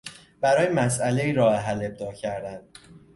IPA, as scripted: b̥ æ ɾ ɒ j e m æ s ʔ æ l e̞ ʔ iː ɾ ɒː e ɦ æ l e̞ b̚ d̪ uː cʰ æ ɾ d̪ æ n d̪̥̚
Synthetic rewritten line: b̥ æ ɾ ɒː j e m æ s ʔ æ l e̞ iː ɾ ɒː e ɦ æ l e̞ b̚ d̪ ɒː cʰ æ ɾ d̪ æ n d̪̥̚